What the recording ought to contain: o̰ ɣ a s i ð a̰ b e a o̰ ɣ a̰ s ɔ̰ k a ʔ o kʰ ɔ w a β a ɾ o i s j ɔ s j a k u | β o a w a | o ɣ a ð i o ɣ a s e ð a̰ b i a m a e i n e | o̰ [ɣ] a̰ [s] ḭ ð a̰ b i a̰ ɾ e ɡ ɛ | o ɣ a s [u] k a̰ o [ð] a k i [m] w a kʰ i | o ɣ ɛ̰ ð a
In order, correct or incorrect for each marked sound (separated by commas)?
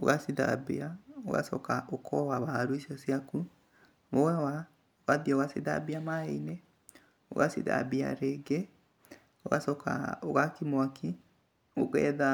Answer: correct, correct, incorrect, incorrect, correct